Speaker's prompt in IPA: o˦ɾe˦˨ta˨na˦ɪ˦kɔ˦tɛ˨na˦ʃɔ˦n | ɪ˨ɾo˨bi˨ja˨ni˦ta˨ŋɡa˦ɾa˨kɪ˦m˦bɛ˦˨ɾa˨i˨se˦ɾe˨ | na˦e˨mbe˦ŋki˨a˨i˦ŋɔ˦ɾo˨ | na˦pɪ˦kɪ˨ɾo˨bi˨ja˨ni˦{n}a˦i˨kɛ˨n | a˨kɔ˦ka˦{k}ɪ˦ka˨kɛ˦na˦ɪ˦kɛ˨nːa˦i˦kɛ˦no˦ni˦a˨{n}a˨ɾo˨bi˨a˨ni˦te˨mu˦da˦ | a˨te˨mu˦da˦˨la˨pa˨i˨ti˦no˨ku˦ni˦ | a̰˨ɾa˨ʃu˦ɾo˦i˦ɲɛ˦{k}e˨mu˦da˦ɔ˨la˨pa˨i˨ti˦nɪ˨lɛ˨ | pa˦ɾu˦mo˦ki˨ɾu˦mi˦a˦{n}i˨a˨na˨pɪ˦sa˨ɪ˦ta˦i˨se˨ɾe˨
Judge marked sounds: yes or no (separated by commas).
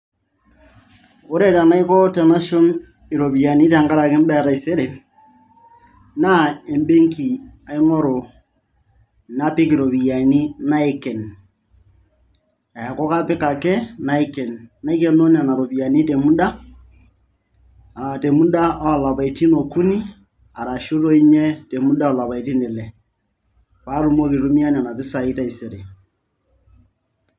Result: yes, no, yes, no, yes